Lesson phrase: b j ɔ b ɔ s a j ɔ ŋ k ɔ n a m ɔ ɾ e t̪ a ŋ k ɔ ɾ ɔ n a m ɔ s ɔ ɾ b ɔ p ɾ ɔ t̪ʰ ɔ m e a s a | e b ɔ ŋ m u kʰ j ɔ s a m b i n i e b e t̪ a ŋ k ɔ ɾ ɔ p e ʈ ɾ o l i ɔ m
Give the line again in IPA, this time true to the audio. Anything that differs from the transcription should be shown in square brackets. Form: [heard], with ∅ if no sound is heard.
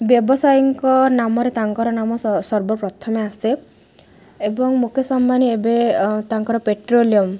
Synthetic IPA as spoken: b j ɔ b ɔ s a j ɔ ŋ k ɔ n a m ɔ ɾ e t̪ a ŋ k ɔ ɾ ɔ n a m ɔ s ɔ ɾ b ɔ p ɾ ɔ t̪ʰ ɔ m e a s [e] | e b ɔ ŋ m u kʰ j ɔ s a m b [a] n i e b e t̪ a ŋ k ɔ ɾ ɔ p e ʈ ɾ o l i ɔ m